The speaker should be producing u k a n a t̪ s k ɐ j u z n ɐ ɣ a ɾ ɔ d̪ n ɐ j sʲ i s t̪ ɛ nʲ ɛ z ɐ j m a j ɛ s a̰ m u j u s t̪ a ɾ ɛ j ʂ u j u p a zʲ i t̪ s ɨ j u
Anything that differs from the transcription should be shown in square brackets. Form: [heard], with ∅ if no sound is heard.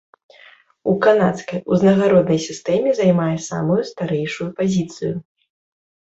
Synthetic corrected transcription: u k a n a t̪ s k ɐ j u z n ɐ ɣ a ɾ ɔ d̪ n ɐ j sʲ i s t̪ ɛ [mʲ] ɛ z [a] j m a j ɛ s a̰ m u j u s t̪ a ɾ ɛ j ʂ u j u p a zʲ i t̪ s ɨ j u